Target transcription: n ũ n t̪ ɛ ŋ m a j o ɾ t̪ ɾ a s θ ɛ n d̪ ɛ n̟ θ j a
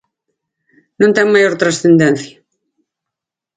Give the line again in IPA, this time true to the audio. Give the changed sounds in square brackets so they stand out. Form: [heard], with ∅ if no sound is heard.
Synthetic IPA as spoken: n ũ n t̪ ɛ ŋ m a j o ɾ t̪ ɾ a s θ [e] n d̪ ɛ n̟ θ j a